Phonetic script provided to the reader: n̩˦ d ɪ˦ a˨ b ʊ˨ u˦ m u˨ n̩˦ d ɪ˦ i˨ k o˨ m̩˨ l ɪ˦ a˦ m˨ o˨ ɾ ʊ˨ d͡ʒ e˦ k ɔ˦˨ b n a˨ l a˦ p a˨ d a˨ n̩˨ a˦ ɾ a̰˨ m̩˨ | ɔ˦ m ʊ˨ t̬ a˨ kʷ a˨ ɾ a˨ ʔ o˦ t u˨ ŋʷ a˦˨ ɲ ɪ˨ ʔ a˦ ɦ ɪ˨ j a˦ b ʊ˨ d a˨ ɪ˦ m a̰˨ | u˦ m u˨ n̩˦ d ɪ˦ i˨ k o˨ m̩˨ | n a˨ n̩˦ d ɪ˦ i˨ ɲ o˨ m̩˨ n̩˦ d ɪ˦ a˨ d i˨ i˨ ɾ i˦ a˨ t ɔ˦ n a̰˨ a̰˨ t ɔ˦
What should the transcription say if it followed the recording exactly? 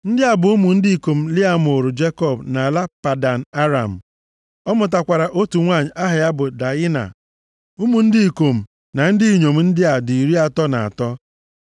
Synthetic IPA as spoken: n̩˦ d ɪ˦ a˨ b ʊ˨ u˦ m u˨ n̩˦ d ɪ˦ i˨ k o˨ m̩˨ l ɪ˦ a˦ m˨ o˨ ɾ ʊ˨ d͡ʒ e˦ k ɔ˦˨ b n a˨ l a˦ p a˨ d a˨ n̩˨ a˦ ɾ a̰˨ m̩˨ | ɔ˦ m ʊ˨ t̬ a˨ kʷ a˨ ɾ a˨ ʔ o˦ t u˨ ŋʷ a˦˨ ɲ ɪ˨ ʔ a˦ ɦ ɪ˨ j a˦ b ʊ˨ d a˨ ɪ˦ n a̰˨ | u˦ m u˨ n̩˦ d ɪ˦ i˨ k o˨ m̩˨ | n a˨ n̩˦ d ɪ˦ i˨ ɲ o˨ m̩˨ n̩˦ d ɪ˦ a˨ d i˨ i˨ ɾ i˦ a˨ t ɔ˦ n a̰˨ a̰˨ t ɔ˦

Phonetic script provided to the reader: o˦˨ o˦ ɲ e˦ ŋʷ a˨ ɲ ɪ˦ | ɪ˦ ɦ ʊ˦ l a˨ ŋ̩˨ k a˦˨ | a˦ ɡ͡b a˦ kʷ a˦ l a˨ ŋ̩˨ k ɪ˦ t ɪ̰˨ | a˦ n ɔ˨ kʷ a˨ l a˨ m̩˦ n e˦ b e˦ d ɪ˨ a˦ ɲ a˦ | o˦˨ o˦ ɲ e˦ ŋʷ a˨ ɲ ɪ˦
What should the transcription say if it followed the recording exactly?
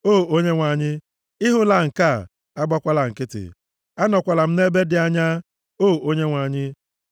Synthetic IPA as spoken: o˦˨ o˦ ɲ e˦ ŋʷ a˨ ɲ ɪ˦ | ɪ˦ ɦ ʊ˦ l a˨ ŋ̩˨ k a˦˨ | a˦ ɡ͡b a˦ kʷ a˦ l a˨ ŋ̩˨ k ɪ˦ t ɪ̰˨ | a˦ n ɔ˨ kʷ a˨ l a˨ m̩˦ n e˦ b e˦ d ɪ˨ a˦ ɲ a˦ | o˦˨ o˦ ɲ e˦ ŋʷ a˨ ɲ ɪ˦

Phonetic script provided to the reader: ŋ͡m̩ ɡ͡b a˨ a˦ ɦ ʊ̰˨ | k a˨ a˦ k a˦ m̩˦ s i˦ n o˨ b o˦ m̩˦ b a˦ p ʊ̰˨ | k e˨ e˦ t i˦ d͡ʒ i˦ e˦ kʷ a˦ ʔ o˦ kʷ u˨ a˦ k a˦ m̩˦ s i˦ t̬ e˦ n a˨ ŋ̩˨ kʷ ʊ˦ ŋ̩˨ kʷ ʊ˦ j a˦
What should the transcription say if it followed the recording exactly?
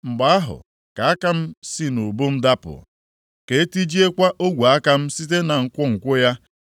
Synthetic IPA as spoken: ŋ͡m̩ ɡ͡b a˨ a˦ ɦ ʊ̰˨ | k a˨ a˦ k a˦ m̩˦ s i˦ n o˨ b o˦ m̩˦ d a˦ p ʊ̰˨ | k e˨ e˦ t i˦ d͡ʒ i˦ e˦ kʷ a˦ ʔ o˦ ɡʷ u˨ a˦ k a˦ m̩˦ s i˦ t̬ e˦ n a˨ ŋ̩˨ kʷ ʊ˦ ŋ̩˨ kʷ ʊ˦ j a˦

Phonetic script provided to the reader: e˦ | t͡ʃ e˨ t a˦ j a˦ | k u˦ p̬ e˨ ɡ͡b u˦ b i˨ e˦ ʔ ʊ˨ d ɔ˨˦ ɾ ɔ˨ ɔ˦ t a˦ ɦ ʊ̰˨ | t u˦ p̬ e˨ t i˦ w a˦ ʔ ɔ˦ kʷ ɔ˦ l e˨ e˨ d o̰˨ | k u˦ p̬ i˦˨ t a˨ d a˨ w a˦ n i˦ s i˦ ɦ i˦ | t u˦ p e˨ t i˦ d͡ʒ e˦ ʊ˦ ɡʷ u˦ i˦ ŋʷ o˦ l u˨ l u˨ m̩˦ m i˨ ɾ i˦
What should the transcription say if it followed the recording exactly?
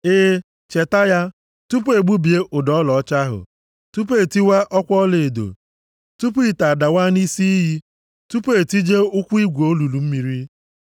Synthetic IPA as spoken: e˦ | t͡ʃ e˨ t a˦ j a˦ | t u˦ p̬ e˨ ɡ͡b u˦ b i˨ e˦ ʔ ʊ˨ d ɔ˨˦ l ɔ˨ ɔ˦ t͡ʃ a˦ ɦ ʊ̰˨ | t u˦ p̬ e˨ t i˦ w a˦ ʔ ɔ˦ kʷ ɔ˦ l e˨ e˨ d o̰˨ | t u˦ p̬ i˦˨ t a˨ d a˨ w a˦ n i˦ s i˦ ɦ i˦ | t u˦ p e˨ t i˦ d͡ʒ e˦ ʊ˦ kʷ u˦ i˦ ɡʷ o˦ l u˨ l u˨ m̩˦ m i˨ ɾ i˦

